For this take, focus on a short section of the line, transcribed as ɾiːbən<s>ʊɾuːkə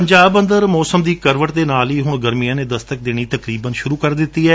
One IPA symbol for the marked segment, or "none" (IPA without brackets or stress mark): ʃ